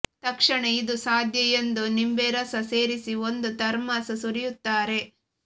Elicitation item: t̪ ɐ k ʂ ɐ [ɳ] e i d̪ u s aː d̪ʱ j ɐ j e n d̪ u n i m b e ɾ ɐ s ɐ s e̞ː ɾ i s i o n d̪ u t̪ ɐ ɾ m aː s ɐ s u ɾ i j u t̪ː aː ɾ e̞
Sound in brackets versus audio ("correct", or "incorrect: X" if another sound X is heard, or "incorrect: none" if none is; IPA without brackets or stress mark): correct